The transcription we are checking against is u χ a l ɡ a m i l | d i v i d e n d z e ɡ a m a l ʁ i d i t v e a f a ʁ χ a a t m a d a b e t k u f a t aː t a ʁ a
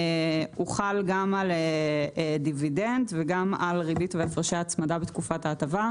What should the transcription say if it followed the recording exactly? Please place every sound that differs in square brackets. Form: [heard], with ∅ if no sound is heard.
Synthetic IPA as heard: u χ a l ɡ a m [a] l | d i v i d e n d [v] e ɡ a m a l ʁ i [b] i t v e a f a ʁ [ʃ] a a [t͡s] m a d a b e t k u f a t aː t a [v] a